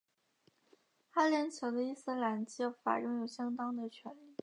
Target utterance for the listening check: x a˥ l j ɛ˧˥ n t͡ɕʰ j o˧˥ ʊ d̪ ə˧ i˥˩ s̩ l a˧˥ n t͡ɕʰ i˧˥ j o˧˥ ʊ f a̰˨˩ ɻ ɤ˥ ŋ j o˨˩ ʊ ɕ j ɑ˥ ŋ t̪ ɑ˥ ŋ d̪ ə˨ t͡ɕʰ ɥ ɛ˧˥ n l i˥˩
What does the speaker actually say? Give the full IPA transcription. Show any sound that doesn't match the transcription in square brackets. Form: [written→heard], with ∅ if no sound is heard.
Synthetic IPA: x a˥ l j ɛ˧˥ n t͡ɕʰ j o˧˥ ʊ d̪ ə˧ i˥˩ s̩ l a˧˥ n [t͡ɕʰ→t͡ɕ] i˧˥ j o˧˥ ʊ f a̰˨˩ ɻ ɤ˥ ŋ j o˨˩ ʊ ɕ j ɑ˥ ŋ t̪ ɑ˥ ŋ d̪ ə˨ t͡ɕʰ ɥ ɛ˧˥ n l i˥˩